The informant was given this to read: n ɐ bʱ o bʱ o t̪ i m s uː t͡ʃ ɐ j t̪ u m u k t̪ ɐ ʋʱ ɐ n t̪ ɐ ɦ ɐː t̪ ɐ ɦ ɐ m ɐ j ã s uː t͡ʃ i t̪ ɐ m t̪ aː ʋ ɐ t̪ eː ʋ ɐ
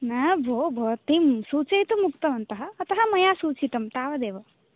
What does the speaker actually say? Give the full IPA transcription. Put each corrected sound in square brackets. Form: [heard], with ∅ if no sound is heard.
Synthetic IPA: n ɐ bʱ o bʱ o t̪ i m s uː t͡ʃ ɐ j t̪ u m u k t̪ ɐ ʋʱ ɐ n t̪ ɐ ɦ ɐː t̪ ɐ ɦ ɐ m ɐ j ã s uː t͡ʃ i t̪ ɐ m t̪ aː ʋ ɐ [d̪] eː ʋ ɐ